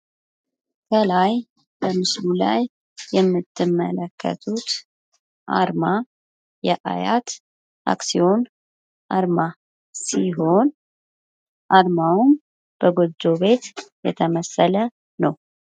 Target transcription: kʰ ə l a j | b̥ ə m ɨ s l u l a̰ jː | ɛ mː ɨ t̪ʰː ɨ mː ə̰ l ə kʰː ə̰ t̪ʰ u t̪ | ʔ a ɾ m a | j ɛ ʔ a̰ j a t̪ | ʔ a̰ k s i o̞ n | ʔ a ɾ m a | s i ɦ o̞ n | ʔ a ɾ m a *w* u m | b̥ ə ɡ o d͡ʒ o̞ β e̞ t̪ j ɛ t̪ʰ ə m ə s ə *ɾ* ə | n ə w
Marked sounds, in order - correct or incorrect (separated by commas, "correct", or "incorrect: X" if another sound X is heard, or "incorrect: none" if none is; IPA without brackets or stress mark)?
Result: correct, incorrect: l